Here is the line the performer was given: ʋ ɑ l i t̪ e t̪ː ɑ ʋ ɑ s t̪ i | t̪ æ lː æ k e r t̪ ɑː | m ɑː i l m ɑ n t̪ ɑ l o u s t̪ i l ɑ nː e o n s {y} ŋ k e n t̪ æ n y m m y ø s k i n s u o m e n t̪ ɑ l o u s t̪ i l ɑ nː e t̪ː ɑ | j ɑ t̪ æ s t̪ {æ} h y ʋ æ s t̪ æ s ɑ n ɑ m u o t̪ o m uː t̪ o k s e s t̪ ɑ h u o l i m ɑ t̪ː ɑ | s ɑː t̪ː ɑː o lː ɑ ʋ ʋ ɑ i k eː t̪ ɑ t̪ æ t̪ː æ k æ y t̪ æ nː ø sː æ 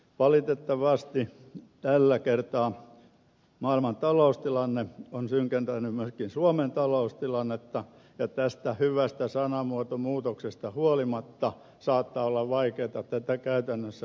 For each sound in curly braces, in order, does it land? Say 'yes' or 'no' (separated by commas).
yes, yes